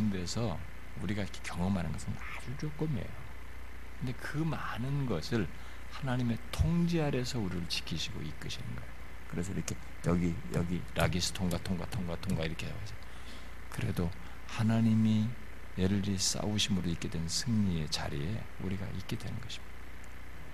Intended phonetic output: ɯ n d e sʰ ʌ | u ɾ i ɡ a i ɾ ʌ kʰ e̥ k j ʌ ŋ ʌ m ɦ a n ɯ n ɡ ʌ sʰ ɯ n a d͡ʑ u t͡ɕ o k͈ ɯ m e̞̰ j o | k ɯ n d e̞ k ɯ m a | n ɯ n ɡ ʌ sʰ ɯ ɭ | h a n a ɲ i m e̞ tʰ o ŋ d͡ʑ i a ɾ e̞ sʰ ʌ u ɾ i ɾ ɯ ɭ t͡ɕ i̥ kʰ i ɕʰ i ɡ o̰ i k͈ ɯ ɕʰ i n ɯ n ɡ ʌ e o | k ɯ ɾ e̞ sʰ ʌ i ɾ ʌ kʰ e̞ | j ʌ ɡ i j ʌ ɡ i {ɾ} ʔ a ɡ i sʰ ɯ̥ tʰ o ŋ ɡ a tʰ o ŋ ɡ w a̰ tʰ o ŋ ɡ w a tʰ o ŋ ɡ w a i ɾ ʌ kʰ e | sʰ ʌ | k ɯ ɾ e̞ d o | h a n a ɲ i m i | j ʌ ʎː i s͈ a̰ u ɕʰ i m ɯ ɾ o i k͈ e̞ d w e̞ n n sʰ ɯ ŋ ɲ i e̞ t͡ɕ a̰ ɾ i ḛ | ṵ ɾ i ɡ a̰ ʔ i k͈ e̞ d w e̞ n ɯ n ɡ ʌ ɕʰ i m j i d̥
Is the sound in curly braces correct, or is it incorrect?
correct